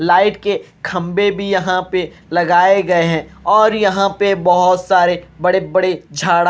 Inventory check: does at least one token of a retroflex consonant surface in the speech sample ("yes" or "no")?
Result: yes